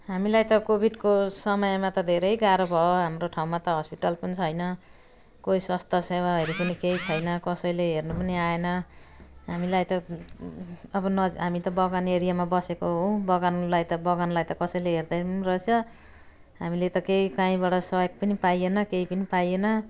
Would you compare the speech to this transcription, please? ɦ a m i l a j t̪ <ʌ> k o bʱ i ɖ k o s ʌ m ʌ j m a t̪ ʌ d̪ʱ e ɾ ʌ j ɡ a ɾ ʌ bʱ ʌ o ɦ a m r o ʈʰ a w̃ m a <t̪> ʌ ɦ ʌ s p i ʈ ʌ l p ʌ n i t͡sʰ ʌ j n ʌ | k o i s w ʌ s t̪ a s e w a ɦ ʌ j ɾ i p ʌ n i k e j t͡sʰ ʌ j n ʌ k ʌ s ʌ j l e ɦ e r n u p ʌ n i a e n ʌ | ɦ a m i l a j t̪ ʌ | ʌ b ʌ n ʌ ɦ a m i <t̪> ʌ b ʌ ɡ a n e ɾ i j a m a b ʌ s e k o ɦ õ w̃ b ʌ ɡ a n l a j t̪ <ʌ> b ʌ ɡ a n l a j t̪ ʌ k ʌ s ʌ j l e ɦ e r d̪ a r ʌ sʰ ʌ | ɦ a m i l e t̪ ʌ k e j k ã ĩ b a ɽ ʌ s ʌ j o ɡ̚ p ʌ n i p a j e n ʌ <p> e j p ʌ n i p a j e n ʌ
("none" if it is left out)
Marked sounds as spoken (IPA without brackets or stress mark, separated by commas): ʌ, t̪, t̪, ʌ, k